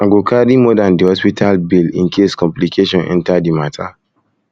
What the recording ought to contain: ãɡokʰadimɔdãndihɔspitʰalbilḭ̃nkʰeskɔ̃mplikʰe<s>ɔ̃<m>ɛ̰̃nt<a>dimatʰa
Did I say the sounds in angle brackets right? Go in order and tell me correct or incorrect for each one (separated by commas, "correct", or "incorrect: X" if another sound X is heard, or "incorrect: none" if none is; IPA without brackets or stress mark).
incorrect: ʃ, incorrect: n, correct